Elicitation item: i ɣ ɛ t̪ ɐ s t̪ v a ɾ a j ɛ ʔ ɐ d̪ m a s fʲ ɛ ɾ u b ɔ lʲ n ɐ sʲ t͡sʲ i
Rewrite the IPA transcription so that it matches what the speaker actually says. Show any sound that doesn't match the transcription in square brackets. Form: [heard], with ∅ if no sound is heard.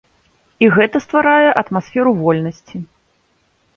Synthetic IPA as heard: i ɣ ɛ t̪ ɐ s t̪ v a ɾ a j ɛ ʔ ɐ [t̪] m a s fʲ ɛ ɾ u [v] ɔ lʲ n ɐ sʲ t͡sʲ i